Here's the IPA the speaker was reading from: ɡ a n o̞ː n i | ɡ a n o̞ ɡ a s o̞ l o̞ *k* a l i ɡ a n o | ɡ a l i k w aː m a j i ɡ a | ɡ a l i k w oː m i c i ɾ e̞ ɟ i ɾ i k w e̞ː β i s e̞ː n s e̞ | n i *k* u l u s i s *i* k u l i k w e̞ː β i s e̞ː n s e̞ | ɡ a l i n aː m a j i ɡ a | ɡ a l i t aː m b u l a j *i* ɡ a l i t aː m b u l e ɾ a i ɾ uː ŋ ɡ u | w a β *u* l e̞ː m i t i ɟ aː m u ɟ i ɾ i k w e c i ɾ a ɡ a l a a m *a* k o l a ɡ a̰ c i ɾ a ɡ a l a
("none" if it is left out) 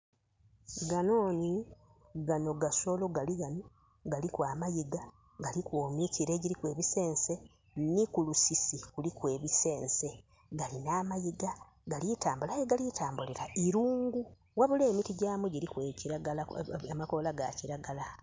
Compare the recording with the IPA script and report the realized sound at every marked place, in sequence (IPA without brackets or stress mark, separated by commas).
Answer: ɡ, k, i, e, u, a